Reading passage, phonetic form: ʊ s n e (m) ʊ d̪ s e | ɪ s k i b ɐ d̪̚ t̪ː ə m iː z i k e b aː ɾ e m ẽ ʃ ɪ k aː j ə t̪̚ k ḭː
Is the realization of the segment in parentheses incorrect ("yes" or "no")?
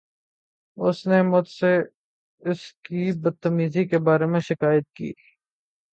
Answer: no